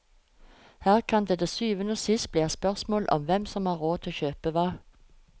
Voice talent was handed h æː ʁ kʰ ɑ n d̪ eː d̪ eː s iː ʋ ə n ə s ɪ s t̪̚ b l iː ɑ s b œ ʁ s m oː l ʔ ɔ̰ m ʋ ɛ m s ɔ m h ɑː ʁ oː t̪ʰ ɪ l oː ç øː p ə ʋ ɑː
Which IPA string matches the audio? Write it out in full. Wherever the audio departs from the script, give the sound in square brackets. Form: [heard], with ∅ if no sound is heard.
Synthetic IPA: h æː ʁ kʰ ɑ n d̪ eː d̪ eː s [yː] ʋ ə n ə s ɪ s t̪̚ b l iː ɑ s [p] œ ʁ s m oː l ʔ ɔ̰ m ʋ ɛ m s ɔ m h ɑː ʁ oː t̪ʰ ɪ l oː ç øː p ə ʋ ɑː